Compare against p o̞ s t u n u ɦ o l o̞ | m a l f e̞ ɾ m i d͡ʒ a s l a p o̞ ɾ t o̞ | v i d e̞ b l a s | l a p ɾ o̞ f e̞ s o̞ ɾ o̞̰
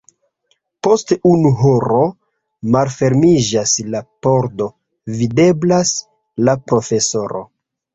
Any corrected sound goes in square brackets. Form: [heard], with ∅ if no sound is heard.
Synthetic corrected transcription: p o̞ s t u n u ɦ o [ɾ] o̞ | m a l f e̞ ɾ m i d͡ʒ a s l a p o̞ ɾ [d] o̞ | v i d e̞ b l a s | l a p ɾ o̞ f e̞ s o̞ ɾ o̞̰